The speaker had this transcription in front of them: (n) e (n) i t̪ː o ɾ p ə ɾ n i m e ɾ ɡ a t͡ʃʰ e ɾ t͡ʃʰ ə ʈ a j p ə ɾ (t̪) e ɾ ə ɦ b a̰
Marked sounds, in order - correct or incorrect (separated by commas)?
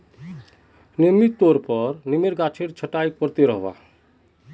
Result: correct, incorrect, correct